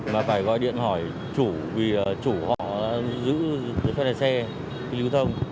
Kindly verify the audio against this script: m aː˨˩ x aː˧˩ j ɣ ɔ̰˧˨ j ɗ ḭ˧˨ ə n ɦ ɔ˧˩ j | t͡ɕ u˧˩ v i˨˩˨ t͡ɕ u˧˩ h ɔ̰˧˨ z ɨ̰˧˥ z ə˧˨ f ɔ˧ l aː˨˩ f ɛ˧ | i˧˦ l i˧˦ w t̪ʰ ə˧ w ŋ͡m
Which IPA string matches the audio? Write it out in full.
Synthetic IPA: m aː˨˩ f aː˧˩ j ɣ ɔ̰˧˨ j ɗ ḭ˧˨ ə n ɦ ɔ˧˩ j | t͡ɕ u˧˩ v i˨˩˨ t͡ɕ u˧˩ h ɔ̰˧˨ z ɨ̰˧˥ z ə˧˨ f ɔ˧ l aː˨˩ s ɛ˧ | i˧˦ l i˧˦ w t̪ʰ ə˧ w ŋ͡m